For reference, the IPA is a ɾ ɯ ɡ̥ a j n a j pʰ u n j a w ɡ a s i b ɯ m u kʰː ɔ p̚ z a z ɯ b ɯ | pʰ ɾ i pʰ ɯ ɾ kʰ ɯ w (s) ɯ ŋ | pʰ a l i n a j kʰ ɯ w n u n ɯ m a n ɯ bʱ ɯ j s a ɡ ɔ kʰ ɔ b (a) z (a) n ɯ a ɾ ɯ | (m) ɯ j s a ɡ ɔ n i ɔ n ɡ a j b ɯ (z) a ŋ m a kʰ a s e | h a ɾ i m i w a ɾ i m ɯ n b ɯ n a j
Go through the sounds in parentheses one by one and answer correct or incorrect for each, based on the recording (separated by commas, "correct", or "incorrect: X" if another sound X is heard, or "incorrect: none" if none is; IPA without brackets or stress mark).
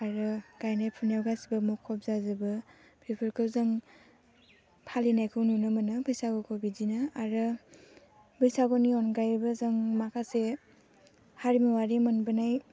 incorrect: z, incorrect: i, incorrect: i, incorrect: b, correct